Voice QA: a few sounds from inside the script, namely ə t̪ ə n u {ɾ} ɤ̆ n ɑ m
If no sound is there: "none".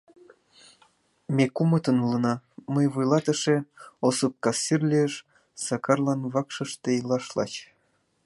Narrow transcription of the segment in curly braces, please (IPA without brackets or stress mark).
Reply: l